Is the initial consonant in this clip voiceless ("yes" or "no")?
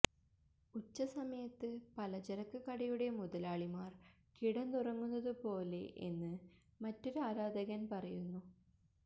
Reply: yes